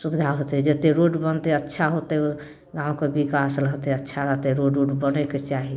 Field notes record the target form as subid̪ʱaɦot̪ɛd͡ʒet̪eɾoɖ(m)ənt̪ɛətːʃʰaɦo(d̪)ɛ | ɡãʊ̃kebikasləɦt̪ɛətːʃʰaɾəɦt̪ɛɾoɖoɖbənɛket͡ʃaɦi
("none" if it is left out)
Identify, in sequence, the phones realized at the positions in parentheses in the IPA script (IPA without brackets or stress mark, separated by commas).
b, t̪